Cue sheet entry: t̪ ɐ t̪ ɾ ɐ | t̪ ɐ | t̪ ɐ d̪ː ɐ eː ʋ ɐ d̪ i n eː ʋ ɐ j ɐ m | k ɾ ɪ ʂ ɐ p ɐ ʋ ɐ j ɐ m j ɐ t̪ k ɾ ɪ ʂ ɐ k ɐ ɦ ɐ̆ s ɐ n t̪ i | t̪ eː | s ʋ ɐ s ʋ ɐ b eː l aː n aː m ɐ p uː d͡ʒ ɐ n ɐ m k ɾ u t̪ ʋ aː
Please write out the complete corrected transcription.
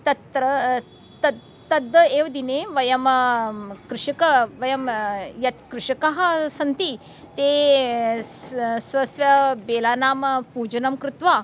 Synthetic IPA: t̪ ɐ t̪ ɾ ɐ | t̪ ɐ | t̪ ɐ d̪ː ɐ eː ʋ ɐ d̪ i n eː ʋ ɐ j ɐ m | k ɾ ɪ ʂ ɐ k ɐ ʋ ɐ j ɐ m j ɐ t̪ k ɾ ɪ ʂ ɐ k ɐ ɦ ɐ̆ s ɐ n t̪ i | t̪ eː | s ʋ ɐ s ʋ ɐ b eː l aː n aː m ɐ p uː d͡ʒ ɐ n ɐ m k ɾ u t̪ ʋ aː